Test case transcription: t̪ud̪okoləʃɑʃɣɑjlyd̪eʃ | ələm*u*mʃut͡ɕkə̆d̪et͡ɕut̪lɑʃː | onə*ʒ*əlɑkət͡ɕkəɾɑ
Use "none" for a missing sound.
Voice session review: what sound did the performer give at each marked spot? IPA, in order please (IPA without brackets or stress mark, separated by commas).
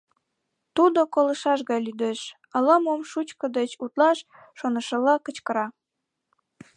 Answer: o, ʃ